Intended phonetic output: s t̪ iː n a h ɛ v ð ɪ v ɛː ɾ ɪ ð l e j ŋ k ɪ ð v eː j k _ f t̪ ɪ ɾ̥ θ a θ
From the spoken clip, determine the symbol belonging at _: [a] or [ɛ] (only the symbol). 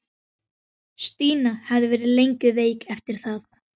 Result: ɛ